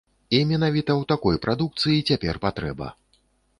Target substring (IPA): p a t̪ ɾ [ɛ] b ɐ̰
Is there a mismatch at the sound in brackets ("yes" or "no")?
no